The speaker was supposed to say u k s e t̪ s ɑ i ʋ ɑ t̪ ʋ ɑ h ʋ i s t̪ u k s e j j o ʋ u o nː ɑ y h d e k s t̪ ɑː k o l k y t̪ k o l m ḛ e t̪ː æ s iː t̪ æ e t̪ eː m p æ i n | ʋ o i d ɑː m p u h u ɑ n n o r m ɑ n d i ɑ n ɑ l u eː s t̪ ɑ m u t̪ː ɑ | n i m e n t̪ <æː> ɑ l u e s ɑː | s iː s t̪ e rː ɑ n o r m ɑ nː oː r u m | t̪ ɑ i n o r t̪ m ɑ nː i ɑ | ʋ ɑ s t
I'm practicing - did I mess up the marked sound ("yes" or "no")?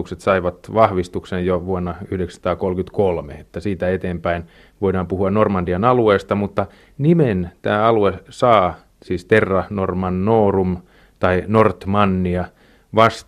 no